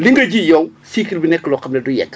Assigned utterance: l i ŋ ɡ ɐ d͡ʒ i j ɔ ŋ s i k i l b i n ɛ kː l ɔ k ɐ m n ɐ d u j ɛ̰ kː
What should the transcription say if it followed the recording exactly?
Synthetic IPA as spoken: l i ŋ ɡ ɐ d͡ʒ i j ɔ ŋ s i k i l b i n ɛ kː l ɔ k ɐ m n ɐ d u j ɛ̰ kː